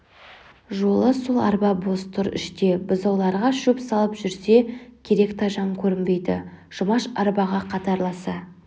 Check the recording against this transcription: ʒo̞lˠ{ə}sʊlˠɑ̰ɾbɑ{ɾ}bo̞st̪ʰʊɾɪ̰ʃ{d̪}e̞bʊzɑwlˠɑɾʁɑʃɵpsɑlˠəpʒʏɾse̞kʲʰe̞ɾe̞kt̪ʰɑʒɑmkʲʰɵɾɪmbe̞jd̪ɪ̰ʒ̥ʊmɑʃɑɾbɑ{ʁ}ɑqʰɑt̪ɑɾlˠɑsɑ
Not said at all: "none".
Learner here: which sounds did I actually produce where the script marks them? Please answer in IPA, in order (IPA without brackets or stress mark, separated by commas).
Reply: ə, none, t̪, ʁ